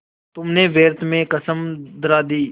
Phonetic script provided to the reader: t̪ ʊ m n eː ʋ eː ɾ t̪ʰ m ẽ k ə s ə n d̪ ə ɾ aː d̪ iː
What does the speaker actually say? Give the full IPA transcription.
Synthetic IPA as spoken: t̪ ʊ m n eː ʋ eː ɾ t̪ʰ m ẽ k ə s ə m d̪ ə ɾ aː d̪ iː

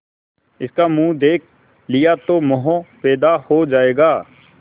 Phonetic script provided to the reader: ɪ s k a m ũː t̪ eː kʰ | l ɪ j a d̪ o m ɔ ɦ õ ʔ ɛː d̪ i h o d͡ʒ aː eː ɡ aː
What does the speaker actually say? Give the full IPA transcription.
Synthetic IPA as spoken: ɪ s k a m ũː d̪ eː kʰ | l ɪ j a t̪ o m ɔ ɦ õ p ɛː d̪ a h o d͡ʒ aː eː ɡ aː

